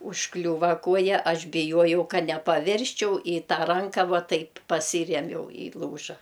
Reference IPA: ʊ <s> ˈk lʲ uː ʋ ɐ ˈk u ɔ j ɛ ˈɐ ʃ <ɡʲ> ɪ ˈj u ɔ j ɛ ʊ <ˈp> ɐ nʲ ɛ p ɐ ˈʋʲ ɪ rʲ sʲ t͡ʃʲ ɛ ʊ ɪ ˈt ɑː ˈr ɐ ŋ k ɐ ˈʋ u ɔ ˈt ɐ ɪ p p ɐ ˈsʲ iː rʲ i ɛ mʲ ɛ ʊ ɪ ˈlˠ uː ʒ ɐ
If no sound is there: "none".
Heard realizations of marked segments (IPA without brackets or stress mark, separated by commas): ʃ, bʲ, k